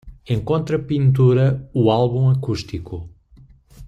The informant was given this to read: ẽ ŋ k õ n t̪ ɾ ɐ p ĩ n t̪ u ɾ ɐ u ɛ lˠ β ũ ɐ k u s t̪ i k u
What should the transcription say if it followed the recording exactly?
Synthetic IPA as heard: ẽ ŋ k õ n t̪ ɾ ɐ p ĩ n t̪ u ɾ ɐ u a lˠ β ũ ɐ k u ʃ t̪ i k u